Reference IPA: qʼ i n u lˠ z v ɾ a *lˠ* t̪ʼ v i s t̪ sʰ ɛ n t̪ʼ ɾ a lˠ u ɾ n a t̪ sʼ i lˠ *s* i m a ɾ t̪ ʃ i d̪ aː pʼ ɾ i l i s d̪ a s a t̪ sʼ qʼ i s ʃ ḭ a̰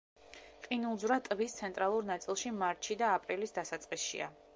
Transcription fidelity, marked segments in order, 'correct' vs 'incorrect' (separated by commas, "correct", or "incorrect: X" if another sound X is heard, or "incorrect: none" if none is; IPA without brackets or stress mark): incorrect: none, incorrect: ʃ